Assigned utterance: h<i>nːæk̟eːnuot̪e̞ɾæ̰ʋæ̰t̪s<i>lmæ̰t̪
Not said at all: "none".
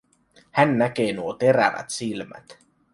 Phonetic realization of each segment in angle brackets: æ, i

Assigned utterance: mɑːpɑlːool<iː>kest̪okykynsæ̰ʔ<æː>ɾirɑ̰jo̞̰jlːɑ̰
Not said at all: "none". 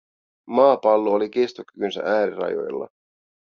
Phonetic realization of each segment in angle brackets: i, æː

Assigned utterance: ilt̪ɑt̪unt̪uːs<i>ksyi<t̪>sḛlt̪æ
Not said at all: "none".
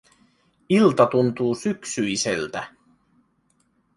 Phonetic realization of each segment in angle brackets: y, none

